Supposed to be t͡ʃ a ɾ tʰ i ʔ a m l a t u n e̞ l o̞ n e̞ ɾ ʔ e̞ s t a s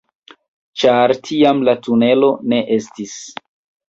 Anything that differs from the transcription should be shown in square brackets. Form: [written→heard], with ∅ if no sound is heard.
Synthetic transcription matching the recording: t͡ʃ a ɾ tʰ i [ʔ→∅] a m l a t u n e̞ l o̞ n e̞ [ɾ→∅] ʔ e̞ s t [a→i] s